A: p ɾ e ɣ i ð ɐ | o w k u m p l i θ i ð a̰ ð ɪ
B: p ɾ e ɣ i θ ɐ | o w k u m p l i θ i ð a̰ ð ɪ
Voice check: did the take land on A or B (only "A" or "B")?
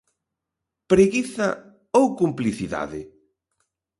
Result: B